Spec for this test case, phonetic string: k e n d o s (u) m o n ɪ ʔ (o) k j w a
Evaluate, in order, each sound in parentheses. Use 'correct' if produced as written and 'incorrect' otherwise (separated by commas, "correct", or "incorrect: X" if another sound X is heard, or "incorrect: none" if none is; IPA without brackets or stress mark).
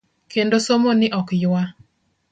incorrect: o, incorrect: ɔ